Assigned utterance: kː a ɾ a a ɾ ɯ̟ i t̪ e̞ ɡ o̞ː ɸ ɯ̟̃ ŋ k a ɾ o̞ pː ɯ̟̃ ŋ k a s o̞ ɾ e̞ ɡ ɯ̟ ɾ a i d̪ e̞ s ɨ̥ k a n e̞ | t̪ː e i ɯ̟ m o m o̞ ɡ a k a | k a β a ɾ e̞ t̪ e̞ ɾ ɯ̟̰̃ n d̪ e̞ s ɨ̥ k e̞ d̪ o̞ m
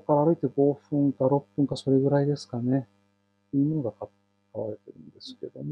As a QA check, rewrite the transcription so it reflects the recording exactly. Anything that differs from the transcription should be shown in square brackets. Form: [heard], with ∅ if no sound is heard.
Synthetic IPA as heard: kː a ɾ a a ɾ ɯ̟ i t̪ e̞ ɡ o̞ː ɸ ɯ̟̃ ŋ k a ɾ o̞ pː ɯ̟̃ ŋ k a s o̞ ɾ e̞ ɡ ɯ̟ ɾ a i d̪ e̞ s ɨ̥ k a n e̞ | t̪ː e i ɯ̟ m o [n] o̞ ɡ a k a | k a β a ɾ e̞ t̪ e̞ ɾ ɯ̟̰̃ n d̪ e̞ s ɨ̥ k e̞ d̪ o̞ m